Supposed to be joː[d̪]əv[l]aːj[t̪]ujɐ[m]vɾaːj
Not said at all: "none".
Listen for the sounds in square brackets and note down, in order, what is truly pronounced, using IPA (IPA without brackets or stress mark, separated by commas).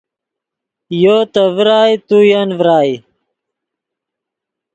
t̪, ɾ, t̪, n